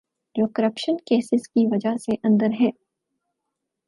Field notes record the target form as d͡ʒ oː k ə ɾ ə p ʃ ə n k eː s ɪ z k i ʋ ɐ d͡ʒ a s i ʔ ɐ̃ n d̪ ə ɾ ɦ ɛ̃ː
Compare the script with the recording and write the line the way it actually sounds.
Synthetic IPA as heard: d͡ʒ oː k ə ɾ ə p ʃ ə n k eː s ɪ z k i ʋ ɐ d͡ʒ a s e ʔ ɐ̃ n d̪ ə ɾ ɦ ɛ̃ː